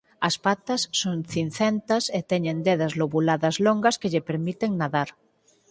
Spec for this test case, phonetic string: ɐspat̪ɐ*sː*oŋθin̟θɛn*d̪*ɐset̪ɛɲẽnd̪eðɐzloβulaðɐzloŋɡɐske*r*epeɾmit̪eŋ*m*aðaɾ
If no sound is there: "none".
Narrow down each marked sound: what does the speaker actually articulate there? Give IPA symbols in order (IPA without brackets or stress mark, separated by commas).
sː, t̪, ʎ, n